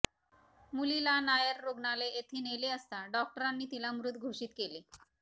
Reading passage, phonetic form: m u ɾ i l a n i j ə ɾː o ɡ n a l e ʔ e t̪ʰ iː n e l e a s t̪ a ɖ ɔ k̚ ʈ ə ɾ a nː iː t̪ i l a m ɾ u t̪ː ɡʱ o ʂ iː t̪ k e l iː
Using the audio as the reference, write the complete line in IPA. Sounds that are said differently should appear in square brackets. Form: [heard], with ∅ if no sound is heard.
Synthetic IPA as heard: m u [l] i l a n [a] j ə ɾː o ɡ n a l e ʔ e t̪ʰ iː n e l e [ə] s t̪ a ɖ ɔ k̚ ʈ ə ɾ a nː iː t̪ i l a m ɾ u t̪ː ɡʱ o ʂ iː t̪ k e l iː